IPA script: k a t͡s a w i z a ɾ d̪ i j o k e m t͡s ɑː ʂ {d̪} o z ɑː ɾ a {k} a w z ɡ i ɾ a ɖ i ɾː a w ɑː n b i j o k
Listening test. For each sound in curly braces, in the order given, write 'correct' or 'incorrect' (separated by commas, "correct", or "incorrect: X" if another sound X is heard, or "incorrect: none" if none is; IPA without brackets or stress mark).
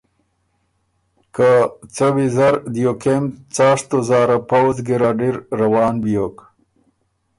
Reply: incorrect: t̪, incorrect: p